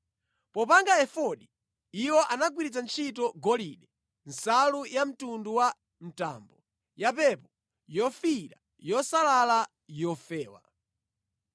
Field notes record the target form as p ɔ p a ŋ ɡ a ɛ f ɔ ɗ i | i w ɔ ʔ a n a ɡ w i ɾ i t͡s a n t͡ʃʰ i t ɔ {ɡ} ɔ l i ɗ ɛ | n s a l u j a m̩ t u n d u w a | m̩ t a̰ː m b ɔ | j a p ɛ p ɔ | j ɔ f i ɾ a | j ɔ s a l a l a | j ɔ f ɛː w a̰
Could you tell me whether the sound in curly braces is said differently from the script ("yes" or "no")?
no